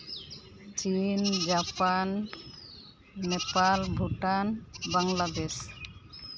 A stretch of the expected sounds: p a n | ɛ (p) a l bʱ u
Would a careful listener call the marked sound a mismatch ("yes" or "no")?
no